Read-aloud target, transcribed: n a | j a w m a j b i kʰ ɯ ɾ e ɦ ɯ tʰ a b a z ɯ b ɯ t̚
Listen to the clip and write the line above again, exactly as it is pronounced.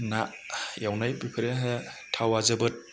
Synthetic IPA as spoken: n a | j a w n a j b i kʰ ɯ ɾ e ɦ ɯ tʰ a w a z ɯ b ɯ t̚